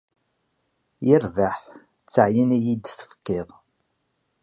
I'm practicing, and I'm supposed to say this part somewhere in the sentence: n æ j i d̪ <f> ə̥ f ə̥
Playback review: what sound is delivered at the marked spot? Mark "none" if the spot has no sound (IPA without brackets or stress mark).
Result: θ